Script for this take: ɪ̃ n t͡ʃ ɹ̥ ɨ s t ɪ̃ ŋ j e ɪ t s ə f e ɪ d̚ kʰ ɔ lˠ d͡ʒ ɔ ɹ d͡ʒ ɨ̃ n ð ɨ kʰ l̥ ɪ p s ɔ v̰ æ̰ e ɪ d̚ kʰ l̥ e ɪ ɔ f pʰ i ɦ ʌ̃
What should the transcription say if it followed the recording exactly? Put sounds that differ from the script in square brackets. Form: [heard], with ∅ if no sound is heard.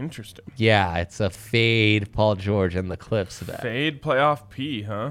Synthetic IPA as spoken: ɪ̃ n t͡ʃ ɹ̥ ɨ s t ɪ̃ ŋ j [æ] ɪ t s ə f e ɪ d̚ [pʰ] ɔ lˠ d͡ʒ ɔ ɹ d͡ʒ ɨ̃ n ð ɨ kʰ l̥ ɪ p s [ʌ] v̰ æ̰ e ɪ d̚ [pʰ] l̥ e ɪ ɔ f pʰ i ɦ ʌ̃